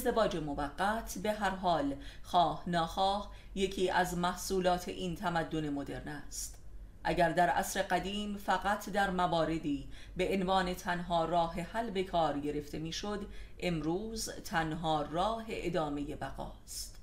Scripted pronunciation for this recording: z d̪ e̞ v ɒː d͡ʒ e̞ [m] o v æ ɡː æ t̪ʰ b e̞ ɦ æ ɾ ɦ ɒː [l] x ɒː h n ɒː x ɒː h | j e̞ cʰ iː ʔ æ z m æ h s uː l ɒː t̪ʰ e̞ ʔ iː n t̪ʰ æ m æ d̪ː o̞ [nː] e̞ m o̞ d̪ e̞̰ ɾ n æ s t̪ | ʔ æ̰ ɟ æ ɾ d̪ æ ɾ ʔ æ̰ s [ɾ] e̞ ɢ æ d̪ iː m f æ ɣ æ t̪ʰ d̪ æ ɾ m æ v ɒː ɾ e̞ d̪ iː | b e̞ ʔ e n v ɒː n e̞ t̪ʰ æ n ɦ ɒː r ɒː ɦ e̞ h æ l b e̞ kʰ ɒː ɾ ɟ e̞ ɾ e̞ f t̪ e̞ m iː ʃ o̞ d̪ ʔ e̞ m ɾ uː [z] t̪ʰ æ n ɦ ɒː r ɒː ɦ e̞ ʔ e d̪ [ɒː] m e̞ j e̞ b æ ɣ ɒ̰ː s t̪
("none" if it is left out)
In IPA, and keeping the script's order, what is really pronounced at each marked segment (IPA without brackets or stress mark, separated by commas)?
m, l, n, ɾ, z, ɒː